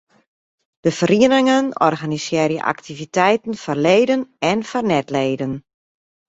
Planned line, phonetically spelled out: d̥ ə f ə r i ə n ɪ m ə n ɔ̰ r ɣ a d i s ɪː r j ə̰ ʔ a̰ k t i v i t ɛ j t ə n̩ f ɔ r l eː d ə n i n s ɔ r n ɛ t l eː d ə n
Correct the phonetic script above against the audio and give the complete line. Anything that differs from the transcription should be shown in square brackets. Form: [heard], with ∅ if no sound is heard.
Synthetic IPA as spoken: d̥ ə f ə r i ə n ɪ [ŋ] ə n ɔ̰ r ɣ a [n] i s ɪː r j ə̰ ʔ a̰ k t i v i t ɛ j t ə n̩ f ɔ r l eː d ə n [ɛ] n [f] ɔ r n ɛ t l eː d ə n